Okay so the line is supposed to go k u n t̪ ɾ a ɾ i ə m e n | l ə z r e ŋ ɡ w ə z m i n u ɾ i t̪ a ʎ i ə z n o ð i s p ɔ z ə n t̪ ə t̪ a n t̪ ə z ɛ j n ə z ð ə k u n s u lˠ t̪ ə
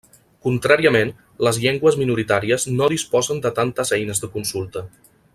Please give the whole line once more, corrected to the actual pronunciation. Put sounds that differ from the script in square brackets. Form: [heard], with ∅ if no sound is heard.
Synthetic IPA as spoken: k u n t̪ ɾ a ɾ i ə m e n | l ə z [ʎ] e ŋ ɡ w ə z m i n u ɾ i t̪ a [ɾ] i ə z n o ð i s p ɔ z ə n [d̪] ə t̪ a n t̪ ə z ɛ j n ə z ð ə k u n s u lˠ t̪ ə